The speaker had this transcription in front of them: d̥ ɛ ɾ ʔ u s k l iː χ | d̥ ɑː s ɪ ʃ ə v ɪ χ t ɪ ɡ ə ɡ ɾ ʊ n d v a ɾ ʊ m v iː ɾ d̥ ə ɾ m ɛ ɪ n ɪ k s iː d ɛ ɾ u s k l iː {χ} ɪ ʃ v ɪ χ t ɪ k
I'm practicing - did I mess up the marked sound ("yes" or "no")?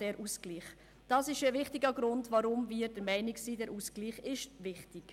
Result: no